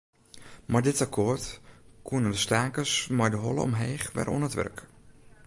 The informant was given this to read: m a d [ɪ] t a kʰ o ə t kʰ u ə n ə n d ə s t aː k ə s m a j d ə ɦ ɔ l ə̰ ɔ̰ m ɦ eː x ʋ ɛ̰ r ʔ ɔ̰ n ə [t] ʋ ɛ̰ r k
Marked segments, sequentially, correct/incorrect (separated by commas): correct, correct